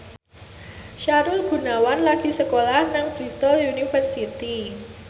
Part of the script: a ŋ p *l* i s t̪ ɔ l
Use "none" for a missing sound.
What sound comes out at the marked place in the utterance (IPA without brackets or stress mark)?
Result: ɾ